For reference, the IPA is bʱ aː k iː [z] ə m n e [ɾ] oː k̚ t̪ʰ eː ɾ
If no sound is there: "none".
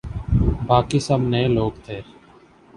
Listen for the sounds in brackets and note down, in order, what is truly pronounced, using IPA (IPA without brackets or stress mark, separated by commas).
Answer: s, l